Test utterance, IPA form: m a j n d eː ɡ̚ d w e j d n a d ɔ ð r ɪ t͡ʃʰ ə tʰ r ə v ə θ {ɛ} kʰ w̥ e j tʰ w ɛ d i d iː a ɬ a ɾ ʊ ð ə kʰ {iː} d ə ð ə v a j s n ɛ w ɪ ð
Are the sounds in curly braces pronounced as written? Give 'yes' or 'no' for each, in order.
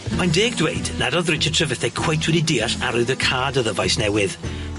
yes, no

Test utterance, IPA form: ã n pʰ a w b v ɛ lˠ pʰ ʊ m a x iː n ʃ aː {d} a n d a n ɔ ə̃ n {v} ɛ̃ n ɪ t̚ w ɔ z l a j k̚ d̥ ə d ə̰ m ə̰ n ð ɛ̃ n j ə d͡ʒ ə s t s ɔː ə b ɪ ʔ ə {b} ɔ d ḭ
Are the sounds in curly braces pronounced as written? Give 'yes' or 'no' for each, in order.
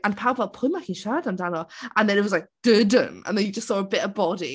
yes, no, yes

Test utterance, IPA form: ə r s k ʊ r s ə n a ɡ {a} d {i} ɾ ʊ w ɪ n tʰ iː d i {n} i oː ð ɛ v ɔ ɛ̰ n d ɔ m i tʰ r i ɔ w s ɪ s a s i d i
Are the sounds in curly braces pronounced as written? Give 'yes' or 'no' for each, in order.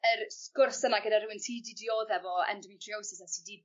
no, no, no

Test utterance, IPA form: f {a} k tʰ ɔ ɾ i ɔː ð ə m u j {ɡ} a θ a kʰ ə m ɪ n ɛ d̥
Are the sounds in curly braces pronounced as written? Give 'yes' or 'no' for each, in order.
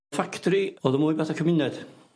yes, no

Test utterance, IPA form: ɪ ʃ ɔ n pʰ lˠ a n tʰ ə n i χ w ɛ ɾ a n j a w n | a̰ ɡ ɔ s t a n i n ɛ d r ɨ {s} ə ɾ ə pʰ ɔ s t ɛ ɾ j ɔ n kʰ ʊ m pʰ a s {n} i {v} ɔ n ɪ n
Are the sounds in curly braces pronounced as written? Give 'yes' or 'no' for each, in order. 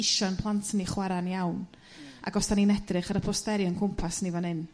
no, yes, yes

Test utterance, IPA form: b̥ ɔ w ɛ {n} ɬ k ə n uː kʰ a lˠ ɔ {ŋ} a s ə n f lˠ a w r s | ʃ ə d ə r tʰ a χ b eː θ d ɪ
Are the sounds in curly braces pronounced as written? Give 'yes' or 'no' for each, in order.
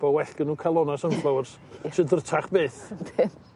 no, no

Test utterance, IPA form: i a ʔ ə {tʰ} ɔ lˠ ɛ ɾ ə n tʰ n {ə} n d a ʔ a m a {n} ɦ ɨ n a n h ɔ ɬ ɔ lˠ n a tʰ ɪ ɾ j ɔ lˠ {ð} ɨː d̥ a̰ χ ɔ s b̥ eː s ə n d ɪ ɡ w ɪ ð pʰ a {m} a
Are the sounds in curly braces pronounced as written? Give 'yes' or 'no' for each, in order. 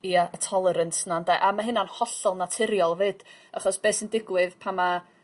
yes, no, no, no, yes

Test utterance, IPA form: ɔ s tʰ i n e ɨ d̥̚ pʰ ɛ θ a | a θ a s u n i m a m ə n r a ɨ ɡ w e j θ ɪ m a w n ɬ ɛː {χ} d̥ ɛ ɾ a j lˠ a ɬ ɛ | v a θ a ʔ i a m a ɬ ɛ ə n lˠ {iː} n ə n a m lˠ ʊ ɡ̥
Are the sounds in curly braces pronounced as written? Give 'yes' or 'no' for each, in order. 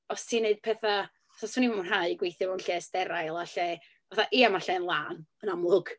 no, no

